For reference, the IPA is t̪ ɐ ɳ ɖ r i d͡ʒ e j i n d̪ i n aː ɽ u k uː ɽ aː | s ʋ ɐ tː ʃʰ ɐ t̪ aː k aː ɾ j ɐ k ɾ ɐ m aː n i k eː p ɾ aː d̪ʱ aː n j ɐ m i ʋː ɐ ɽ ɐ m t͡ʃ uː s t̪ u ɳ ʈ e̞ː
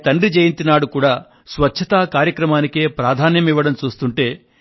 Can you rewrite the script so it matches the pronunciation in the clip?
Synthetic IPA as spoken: t̪ ɐ ɳ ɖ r i d͡ʒ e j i n t̪ i n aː ɽ u k uː ɽ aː | s ʋ ɐ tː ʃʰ ɐ t̪ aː k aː ɾ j ɐ k ɾ ɐ m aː n i k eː p ɾ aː d̪ʱ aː n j ɐ m i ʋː ɐ ɽ ɐ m t͡ʃ uː s t̪ u ɳ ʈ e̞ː